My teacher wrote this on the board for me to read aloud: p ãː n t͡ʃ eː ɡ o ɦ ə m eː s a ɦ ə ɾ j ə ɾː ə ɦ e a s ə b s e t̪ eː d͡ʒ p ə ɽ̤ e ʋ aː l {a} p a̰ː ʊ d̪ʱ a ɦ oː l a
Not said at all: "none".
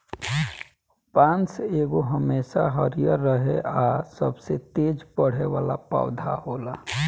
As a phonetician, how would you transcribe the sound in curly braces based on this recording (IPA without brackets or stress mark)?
a